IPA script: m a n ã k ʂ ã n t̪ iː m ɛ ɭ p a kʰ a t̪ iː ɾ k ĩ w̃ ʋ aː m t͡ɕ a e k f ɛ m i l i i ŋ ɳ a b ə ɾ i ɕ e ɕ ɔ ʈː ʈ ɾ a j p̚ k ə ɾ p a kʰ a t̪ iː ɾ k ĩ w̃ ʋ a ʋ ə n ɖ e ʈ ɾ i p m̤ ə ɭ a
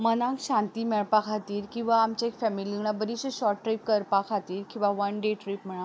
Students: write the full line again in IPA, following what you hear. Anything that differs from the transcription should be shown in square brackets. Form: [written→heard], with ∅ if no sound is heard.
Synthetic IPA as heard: m [a→ə] n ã k [ʂ→ɕ] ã n t̪ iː m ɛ ɭ p a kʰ a t̪ iː ɾ k ĩ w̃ ʋ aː m t͡ɕ a e k f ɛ m i l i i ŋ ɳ a b ə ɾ i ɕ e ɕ ɔ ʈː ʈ ɾ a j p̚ k ə ɾ p a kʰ a t̪ iː ɾ k ĩ w̃ ʋ a ʋ ə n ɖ e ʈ ɾ i p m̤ ə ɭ a

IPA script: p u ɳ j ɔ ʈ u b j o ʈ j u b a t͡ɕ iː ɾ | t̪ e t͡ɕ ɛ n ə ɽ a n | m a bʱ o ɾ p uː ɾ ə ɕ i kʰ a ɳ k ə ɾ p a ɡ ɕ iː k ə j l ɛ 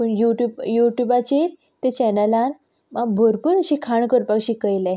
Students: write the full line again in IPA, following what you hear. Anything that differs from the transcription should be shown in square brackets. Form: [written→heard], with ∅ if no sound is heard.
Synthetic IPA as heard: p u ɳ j [ɔ→u] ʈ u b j [o→u] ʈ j u b a t͡ɕ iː ɾ | t̪ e t͡ɕ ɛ n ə [ɽ→l] a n | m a bʱ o ɾ p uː ɾ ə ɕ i kʰ a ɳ k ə ɾ p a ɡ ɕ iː k ə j l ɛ

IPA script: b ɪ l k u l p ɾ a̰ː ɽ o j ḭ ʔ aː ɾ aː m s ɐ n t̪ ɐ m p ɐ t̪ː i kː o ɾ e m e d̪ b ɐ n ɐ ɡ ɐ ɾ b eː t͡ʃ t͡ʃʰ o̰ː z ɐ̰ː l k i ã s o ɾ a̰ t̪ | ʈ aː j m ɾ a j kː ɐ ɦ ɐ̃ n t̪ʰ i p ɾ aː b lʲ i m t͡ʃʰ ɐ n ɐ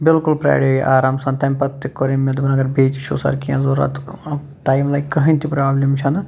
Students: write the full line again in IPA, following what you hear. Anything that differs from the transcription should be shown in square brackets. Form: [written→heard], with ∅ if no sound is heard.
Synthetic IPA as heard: b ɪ l k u l p ɾ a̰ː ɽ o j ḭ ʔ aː ɾ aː m s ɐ n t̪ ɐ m p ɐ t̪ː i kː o ɾ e m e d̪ b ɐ n ɐ ɡ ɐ ɾ b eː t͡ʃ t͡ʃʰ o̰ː [z→s] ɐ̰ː [l→ɾ] k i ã [s→z] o ɾ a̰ t̪ | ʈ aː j m [ɾ→l] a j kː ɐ ɦ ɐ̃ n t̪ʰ i p ɾ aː b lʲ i m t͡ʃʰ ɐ n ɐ

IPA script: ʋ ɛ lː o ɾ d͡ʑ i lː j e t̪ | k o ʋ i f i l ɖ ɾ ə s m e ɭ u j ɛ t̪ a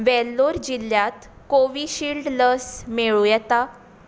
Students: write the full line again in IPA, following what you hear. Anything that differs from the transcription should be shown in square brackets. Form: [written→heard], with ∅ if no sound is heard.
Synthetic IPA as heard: ʋ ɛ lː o ɾ d͡ʑ i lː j [e→a] t̪ | k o ʋ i [f→ɕ] i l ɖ [ɾ→l] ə s m e ɭ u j ɛ t̪ a

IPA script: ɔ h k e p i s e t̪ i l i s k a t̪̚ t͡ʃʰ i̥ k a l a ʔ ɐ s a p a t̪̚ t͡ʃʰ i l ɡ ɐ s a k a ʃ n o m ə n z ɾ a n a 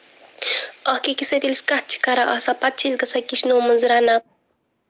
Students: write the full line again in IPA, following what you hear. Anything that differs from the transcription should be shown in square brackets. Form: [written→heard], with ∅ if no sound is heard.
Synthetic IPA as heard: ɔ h k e [p→k] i s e t̪ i l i s k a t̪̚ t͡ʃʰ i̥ k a [l→ɾ] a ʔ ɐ s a p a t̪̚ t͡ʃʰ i l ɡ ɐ s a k [a→i] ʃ n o m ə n z ɾ a n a

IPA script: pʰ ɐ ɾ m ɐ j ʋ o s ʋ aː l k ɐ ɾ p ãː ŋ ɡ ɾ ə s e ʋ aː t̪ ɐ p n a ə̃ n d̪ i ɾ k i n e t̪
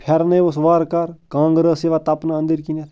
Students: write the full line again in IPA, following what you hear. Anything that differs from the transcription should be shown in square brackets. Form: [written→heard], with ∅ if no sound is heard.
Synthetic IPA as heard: pʰ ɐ ɾ [m→n] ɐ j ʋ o s ʋ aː [l→ɾ] k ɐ ɾ [p→k] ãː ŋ ɡ ɾ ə s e ʋ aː t̪ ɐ p n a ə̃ n d̪ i ɾ k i n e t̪

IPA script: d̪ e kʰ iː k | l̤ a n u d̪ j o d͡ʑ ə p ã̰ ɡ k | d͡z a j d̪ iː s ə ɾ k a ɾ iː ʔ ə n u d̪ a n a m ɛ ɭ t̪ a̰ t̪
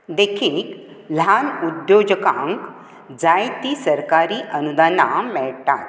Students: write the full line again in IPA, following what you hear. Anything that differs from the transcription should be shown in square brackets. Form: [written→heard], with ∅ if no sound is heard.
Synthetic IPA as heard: d̪ e kʰ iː k | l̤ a n u d̪ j o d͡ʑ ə [p→k] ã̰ [ɡ→ŋ] k | d͡z a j [d̪→t̪] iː s ə ɾ k a ɾ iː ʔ ə n u d̪ a n a m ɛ ɭ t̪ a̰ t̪

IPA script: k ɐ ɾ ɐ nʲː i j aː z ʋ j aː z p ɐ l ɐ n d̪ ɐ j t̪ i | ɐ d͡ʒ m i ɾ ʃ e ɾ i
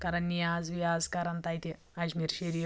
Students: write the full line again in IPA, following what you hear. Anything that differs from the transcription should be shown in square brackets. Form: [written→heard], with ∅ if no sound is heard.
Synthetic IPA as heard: k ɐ ɾ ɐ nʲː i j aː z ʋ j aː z [p→k] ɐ [l→ɾ] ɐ n [d̪→t̪] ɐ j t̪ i | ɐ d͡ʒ m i ɾ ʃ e ɾ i

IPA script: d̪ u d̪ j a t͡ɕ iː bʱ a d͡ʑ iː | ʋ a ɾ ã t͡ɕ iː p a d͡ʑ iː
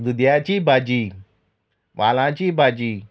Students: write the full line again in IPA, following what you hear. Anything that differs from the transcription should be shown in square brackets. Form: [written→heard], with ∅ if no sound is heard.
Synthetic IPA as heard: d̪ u d̪ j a t͡ɕ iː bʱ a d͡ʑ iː | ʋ a [ɾ→l] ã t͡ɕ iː [p→b] a d͡ʑ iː

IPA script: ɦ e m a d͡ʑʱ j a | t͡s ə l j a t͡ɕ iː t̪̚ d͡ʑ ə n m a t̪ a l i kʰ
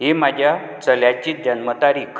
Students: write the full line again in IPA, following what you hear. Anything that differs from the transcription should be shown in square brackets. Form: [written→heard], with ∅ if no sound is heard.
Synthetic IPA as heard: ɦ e m a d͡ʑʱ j a | t͡s ə l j a t͡ɕ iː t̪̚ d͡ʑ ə n m [a→ə] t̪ a [l→ɾ] i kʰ

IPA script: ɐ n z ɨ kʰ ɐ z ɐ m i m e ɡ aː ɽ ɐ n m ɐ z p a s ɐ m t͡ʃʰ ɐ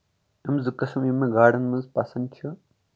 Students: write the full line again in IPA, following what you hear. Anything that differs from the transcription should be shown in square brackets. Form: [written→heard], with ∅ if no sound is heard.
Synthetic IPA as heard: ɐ [n→m] z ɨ [kʰ→k] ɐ [z→s] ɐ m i m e ɡ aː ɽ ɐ n m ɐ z p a s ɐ [m→n] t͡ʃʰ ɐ

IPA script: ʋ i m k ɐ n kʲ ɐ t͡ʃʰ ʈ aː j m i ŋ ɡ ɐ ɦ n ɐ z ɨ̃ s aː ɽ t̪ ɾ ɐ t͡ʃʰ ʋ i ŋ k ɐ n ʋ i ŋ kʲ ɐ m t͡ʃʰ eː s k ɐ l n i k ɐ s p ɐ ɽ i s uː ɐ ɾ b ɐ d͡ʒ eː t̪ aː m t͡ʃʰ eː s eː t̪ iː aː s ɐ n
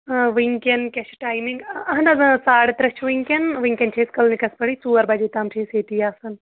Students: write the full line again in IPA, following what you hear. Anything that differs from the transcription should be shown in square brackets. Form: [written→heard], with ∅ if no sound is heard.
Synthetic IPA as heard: ʋ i [m→ŋ] k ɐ n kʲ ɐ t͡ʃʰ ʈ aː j m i ŋ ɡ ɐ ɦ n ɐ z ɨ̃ s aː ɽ t̪ ɾ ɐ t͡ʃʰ ʋ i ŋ k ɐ n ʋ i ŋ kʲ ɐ [m→n] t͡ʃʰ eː s k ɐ l n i k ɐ s p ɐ ɽ i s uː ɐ ɾ b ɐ d͡ʒ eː t̪ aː m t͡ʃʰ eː s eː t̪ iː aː s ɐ n

